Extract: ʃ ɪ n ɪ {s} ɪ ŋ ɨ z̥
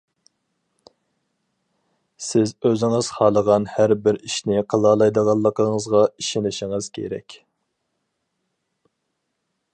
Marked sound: incorrect: ʃ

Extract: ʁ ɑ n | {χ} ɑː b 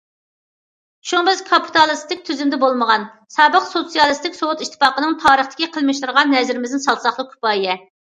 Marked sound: incorrect: s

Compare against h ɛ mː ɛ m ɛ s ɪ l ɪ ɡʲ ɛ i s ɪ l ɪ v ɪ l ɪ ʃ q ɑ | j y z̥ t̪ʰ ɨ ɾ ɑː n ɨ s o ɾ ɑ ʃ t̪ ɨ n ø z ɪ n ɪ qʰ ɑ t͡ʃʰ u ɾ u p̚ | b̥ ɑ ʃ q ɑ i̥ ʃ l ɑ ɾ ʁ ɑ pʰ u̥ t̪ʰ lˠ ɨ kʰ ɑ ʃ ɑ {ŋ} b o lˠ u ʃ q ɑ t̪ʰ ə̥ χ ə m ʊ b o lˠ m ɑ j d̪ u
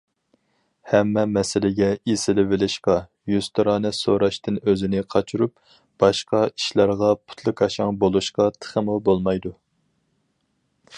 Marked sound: correct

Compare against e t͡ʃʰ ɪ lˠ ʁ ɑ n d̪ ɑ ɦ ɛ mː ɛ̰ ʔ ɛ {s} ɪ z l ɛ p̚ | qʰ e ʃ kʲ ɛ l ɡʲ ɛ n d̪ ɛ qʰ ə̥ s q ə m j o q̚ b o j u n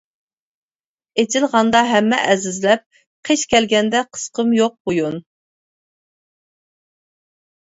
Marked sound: incorrect: z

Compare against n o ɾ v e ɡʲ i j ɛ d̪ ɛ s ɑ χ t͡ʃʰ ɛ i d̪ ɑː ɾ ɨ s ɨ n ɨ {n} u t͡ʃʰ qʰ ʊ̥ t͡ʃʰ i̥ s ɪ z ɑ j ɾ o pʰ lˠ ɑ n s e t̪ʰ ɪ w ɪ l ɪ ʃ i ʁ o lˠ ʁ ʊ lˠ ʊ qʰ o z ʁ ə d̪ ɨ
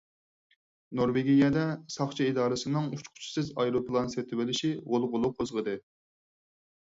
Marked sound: incorrect: ŋ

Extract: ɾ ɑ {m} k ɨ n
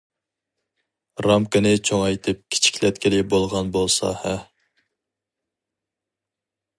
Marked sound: correct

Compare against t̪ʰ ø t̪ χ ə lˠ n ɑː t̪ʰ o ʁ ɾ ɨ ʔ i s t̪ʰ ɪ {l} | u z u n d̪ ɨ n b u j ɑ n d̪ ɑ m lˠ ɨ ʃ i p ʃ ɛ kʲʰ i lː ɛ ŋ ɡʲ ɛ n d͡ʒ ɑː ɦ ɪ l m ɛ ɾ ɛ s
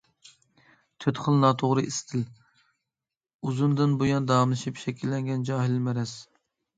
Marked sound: correct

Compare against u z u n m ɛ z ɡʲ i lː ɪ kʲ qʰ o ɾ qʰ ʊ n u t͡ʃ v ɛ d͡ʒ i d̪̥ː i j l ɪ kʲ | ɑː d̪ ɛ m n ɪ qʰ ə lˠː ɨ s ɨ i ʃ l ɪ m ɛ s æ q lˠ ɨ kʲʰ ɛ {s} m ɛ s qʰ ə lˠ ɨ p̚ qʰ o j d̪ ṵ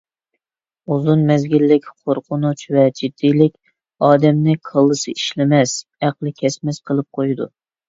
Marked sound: correct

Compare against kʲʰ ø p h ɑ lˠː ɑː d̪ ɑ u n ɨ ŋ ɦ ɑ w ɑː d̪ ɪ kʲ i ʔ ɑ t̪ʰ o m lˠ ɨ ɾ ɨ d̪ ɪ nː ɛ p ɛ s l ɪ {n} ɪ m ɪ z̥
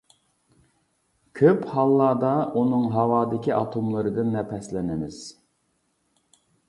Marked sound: correct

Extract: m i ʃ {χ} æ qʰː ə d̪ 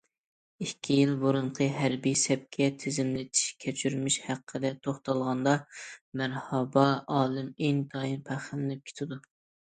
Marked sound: incorrect: h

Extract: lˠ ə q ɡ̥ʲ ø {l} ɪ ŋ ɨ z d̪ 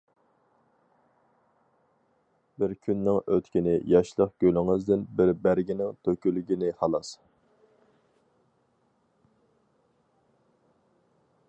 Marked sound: correct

